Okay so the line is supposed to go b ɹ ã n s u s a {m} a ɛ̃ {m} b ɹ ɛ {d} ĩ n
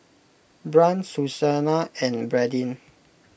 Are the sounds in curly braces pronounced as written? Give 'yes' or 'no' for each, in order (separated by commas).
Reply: no, no, yes